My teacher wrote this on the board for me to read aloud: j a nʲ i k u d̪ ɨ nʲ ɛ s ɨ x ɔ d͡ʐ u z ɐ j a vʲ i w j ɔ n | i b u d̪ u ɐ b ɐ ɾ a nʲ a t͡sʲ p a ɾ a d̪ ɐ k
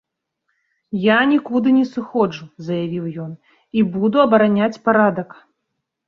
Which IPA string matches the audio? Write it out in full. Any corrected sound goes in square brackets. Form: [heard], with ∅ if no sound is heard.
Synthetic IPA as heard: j a nʲ i k u d̪ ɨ nʲ ɛ s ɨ x ɔ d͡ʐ u z ɐ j a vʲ i w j ɔ n | i b u d̪ u ɐ b ɐ ɾ a nʲ a t͡sʲ p a ɾ a d̪ ɐ k